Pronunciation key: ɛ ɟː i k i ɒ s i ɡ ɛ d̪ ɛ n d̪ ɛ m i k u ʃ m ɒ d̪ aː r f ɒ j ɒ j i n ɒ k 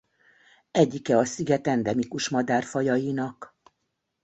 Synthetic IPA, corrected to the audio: ɛ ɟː i k ɛ ɒ s i ɡ ɛ t̪ ɛ n d̪ ɛ m i k u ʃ m ɒ d̪ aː r f ɒ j ɒ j i n ɒ k